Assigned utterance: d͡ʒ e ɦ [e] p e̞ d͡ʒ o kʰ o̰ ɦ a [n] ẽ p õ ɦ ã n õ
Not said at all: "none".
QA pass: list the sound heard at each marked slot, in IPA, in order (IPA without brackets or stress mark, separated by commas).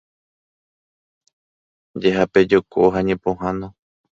a, ɲ